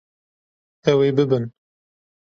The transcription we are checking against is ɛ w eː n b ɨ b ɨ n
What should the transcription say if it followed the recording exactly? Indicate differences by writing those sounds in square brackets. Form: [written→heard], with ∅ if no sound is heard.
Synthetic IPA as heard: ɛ w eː [n→∅] b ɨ b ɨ n